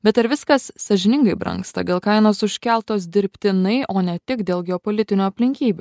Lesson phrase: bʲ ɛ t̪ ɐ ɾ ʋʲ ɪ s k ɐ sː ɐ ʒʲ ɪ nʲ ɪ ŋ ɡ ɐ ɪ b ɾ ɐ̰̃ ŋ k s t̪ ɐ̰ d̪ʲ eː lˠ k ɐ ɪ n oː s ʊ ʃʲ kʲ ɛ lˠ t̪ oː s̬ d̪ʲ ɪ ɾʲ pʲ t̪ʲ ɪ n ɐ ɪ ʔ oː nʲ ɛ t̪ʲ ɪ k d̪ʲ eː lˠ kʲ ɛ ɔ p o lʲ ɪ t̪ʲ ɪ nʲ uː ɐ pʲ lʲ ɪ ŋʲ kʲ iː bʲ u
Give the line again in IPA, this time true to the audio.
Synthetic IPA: bʲ ɛ t̪ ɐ ɾ ʋʲ ɪ s k ɐ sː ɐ ʒʲ ɪ nʲ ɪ ŋ ɡ ɐ ɪ b ɾ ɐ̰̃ ŋ k s t̪ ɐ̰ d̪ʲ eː lˠ k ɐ ɪ n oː s ʊ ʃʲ kʲ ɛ lˠ t̪ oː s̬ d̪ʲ ɪ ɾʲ pʲ t̪ʲ ɪ n ɐ ɪ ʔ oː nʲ ɛ t̪ʲ ɪ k d̪ʲ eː lˠ ɡʲ ɛ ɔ p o lʲ ɪ t̪ʲ ɪ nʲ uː ɐ pʲ lʲ ɪ ŋʲ kʲ iː bʲ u